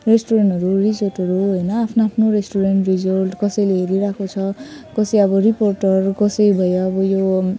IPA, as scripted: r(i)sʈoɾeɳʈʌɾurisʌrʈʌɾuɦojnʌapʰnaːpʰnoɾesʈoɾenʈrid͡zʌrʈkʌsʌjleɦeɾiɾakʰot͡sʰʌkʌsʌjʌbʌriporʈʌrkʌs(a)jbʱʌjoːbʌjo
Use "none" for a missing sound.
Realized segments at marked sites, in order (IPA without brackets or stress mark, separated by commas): e, ʌ